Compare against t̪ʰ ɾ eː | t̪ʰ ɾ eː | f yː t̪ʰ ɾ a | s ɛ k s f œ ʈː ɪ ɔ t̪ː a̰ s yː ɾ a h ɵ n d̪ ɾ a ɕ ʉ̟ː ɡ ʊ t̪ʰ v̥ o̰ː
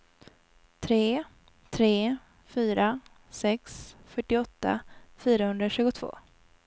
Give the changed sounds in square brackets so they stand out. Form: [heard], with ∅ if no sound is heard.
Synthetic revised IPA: t̪ʰ ɾ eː | t̪ʰ ɾ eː | f yː [∅] ɾ a | s ɛ k s f œ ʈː ɪ ɔ t̪ː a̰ [f] yː ɾ a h ɵ n d̪ ɾ a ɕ ʉ̟ː ɡ ʊ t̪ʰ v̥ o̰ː